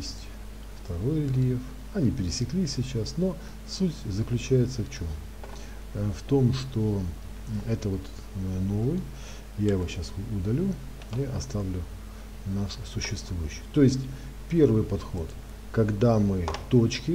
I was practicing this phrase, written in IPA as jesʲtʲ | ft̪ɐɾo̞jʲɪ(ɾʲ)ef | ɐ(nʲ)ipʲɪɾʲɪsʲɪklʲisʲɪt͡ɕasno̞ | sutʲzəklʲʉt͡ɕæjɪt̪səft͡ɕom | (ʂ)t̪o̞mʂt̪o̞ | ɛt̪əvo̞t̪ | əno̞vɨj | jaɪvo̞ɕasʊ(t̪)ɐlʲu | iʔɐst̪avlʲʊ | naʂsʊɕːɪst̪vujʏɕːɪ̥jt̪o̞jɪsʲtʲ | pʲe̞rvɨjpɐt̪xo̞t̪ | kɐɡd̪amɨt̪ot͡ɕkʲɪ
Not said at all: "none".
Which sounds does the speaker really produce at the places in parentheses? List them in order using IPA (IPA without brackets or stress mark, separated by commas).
lʲ, nʲ, f, d̪